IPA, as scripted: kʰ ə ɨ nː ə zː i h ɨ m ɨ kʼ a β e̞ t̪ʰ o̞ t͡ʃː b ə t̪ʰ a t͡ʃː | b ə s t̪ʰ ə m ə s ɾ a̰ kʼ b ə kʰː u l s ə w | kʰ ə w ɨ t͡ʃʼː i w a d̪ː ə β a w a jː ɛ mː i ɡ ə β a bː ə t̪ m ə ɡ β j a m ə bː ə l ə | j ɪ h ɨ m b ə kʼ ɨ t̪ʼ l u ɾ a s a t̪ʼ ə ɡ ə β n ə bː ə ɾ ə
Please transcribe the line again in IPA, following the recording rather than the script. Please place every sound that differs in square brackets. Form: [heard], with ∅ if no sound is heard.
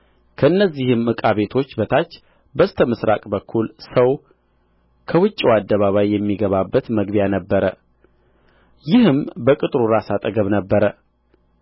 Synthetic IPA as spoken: kʰ ə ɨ nː ə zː i h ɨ m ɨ kʼ a β e̞ t̪ʰ o̞ t͡ʃː b ə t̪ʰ a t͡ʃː | b ə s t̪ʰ ə m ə s ɾ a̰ kʼ b ə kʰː u l s ə w | kʰ ə w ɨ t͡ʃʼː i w a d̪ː ə β a [β] a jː ɛ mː i ɡ ə β a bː ə t̪ m ə ɡ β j a [n] ə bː ə [ɾ] ə | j ɪ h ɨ m b ə kʼ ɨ t̪ʼ [ɾ] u ɾ a s a t̪ʼ ə ɡ ə β n ə bː ə ɾ ə